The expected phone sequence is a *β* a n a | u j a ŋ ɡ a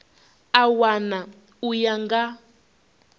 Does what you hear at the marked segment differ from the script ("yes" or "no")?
yes